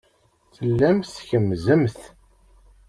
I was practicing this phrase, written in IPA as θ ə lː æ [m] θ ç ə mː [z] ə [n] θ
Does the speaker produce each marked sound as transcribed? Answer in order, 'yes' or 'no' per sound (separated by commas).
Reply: yes, yes, no